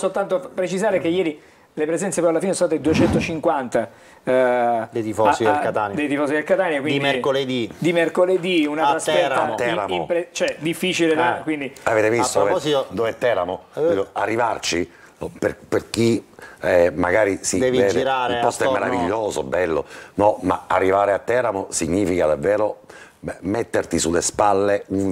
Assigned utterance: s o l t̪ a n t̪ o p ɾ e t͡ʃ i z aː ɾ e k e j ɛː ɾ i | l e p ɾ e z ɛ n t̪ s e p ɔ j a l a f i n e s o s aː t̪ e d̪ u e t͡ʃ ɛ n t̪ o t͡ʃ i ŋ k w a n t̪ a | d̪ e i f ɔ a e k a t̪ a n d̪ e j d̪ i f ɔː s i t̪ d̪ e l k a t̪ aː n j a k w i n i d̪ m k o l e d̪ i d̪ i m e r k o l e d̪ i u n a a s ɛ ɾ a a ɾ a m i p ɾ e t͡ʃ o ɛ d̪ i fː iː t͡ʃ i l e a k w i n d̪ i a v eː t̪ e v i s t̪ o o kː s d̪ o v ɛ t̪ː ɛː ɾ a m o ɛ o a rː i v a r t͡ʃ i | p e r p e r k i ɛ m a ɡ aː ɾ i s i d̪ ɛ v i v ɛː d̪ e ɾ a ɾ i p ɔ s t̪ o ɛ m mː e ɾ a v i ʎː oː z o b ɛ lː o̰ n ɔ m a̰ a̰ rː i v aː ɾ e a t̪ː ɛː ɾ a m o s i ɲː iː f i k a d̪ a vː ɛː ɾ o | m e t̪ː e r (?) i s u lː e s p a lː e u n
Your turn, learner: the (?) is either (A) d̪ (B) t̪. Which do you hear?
B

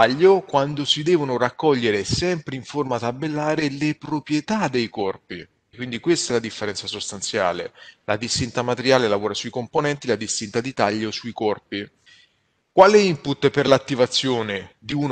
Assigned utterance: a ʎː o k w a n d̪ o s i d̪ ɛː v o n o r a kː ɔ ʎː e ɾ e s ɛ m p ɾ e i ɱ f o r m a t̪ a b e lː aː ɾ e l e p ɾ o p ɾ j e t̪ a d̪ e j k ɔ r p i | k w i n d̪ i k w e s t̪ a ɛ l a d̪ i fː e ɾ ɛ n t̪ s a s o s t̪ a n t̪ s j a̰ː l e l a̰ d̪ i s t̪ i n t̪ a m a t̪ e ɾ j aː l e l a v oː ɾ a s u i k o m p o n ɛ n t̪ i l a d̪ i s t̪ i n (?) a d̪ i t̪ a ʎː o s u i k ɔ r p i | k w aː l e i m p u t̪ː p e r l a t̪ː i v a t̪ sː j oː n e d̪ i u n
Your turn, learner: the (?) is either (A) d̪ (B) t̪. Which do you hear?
B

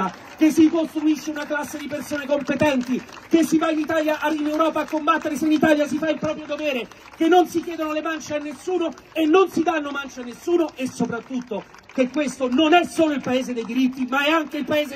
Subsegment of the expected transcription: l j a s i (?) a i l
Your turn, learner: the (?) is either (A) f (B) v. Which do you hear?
A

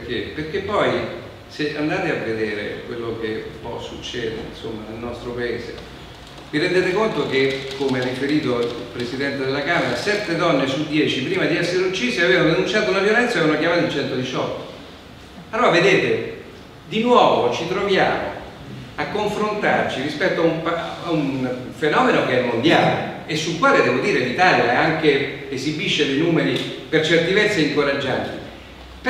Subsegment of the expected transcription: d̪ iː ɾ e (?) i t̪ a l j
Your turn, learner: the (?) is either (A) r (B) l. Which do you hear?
B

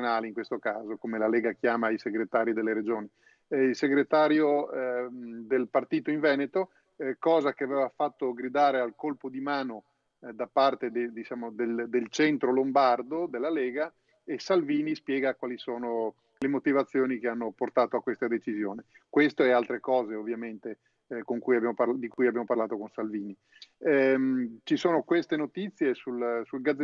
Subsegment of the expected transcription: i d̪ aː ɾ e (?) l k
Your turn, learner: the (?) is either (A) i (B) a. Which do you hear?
B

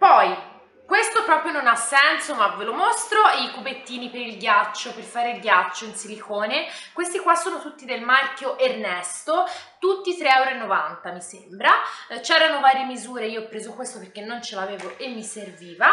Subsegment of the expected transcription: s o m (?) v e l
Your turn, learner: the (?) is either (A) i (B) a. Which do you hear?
B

